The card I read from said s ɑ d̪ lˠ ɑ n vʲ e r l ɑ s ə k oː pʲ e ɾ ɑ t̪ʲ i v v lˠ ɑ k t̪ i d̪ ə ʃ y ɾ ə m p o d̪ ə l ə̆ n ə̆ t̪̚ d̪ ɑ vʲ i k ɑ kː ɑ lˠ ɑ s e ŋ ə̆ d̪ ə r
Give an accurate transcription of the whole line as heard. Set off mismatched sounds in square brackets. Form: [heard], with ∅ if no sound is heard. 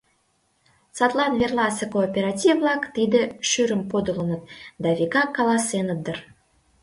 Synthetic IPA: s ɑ [t̪] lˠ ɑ n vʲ e r l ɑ s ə k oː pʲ e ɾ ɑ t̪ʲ i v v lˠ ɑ k t̪ i d̪ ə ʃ y ɾ ə m p o d̪ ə l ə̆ n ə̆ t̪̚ d̪ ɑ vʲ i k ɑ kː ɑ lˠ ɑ s e [n] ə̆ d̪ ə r